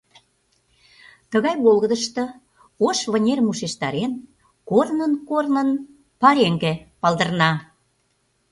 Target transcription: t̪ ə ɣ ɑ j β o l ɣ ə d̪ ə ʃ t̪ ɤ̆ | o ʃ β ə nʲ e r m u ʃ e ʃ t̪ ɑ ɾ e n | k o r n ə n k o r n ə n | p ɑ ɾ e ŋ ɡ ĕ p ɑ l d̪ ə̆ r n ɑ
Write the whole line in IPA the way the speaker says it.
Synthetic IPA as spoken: t̪ ə ɣ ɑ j β o l ɣ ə d̪ ə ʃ t̪ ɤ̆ | o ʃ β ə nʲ e r m u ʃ e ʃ t̪ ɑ ɾ e n | k o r n ə n k o r n ə n | p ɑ ɾ e ŋ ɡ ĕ p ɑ l d̪ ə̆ r n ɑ